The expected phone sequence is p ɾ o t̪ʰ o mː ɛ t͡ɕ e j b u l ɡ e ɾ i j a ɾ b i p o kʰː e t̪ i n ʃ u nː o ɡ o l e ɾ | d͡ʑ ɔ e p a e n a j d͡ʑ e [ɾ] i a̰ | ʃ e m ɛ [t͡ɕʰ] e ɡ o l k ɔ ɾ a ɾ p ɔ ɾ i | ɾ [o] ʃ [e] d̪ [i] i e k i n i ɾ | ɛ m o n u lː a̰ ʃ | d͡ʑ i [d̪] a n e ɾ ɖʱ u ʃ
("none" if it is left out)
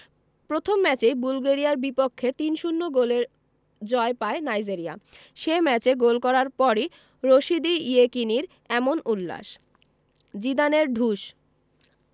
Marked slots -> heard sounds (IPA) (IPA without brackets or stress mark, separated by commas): ɾ, t͡ɕ, o, i, i, d̪